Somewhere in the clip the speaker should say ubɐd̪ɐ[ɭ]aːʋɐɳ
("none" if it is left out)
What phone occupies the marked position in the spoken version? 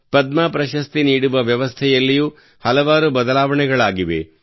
l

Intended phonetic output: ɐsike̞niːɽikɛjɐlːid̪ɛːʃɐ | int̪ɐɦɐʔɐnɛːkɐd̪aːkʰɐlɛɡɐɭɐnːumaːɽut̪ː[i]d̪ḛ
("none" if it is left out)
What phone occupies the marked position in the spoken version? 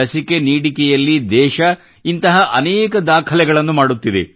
i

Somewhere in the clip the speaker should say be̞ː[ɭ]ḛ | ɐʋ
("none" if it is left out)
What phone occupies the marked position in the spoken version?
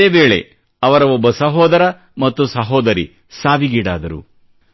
ɭ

